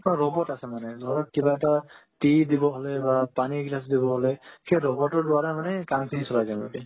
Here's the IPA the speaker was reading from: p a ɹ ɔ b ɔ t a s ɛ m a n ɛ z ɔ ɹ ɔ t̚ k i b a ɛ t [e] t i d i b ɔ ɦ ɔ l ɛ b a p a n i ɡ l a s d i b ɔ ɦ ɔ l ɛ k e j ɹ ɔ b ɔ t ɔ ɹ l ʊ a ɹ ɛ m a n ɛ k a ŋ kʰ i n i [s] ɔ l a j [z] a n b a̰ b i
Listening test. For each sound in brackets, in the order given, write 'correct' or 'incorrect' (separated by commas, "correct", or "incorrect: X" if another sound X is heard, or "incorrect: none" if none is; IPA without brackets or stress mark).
incorrect: a, correct, correct